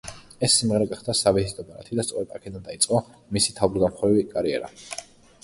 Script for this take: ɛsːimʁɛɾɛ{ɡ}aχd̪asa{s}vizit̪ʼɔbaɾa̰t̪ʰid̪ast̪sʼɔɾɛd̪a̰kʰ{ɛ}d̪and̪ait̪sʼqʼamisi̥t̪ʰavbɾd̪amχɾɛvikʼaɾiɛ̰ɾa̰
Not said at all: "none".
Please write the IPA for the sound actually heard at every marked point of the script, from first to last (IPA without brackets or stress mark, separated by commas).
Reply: ɡ, none, ɛ